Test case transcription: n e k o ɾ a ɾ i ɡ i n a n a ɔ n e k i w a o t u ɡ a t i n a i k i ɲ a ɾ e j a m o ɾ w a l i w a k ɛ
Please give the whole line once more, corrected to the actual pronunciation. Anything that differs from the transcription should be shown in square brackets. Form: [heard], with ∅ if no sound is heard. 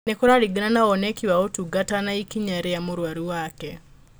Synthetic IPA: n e k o ɾ a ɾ i ɡ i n a n a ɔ n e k i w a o t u ɡ a t [a] n a i k i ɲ a ɾ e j a m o ɾ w a [ɾ] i w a k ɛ